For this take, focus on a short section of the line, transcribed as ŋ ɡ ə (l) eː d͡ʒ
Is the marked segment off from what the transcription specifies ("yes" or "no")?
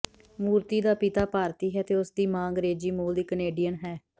yes